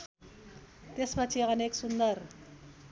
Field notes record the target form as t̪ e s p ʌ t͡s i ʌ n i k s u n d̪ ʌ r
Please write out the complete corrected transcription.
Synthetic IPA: t̪ e s p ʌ t͡sʰ i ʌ n e k s u n d̪ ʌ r